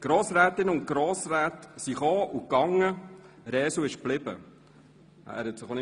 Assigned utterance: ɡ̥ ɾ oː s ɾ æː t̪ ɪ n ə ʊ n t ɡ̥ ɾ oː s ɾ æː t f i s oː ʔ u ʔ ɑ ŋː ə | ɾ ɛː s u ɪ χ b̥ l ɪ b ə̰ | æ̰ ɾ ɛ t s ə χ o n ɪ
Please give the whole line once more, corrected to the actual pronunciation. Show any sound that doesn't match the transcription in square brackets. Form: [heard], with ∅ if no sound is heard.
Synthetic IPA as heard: ɡ̥ ɾ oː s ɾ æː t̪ ɪ n ə ʊ n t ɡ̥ ɾ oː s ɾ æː t [s] i [χ] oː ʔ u [k] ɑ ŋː ə | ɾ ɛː s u ɪ [ʃ] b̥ l ɪ b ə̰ | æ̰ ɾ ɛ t s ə χ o n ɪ